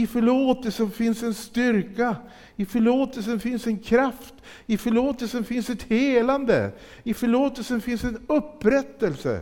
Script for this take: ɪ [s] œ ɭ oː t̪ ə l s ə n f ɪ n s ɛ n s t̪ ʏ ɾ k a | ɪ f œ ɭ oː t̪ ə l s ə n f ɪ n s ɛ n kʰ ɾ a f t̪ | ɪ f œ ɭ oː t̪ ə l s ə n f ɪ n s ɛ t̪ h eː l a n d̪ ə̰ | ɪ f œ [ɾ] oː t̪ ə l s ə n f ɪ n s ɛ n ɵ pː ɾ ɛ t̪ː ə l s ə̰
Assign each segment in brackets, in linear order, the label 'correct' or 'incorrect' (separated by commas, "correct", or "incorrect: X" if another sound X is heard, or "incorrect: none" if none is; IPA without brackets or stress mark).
incorrect: f, incorrect: ɭ